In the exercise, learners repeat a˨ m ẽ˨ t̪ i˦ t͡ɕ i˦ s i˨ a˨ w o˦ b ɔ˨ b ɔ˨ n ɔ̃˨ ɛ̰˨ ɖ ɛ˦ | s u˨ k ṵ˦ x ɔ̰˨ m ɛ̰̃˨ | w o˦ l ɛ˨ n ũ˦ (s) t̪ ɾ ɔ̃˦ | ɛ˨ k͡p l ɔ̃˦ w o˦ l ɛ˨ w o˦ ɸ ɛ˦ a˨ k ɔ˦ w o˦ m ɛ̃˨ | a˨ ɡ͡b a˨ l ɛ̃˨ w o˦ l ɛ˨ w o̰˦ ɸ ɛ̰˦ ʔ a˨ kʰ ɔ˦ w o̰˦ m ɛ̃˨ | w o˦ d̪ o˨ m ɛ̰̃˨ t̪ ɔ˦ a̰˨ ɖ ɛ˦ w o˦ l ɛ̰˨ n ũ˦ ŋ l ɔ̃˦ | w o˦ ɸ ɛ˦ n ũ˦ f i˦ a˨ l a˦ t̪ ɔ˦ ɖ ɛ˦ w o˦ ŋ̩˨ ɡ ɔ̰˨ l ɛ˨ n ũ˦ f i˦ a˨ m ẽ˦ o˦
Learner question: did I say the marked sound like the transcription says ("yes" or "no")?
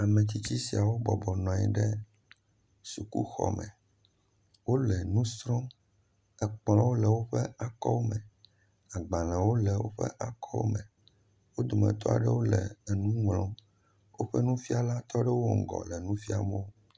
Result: yes